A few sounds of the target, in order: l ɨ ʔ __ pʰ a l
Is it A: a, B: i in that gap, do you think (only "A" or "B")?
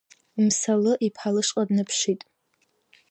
B